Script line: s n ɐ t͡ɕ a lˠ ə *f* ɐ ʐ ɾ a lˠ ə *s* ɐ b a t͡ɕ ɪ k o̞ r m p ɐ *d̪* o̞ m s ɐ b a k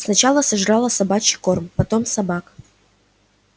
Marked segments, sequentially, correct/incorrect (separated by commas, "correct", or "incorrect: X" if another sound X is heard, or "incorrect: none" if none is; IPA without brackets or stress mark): incorrect: s, correct, incorrect: t̪